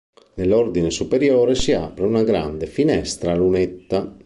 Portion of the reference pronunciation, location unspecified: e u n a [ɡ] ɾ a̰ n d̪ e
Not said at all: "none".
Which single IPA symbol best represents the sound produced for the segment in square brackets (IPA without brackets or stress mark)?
ɡ